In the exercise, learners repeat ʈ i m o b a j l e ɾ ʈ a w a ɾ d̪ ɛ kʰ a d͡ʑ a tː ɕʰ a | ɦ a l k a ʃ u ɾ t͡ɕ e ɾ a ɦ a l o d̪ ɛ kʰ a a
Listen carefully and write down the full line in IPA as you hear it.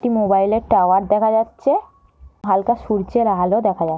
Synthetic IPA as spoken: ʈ i m o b a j l e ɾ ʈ a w a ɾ d̪ ɛ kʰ a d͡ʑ a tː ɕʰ e | ɦ a l k a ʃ u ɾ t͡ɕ e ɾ a ɦ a l o d̪ ɛ kʰ a a